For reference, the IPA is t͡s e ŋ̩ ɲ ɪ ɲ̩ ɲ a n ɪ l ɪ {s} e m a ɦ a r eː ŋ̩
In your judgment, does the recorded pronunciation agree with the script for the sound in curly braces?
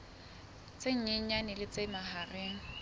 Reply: no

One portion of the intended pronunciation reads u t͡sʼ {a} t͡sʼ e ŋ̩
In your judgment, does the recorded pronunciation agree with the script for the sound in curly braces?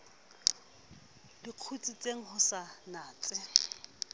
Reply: no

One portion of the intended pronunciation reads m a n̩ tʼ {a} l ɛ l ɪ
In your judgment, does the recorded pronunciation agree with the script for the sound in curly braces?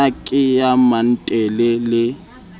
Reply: no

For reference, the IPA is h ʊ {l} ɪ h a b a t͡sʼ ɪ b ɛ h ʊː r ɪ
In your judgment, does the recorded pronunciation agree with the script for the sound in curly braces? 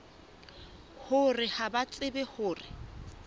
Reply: no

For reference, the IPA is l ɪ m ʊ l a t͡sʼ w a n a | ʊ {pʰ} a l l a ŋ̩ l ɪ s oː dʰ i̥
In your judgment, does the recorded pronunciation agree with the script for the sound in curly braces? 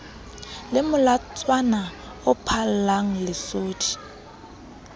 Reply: yes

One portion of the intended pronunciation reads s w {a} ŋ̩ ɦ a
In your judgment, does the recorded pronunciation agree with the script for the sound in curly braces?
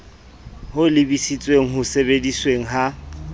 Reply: no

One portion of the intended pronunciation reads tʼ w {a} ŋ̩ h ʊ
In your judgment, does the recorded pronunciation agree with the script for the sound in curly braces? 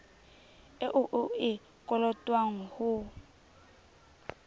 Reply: yes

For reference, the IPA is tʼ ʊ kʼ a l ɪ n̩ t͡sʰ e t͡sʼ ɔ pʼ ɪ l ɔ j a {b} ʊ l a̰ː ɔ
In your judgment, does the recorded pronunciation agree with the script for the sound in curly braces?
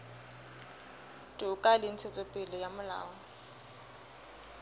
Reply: no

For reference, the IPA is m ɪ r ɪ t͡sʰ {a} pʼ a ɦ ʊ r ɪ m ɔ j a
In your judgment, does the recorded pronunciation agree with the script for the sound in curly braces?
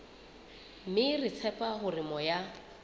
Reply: no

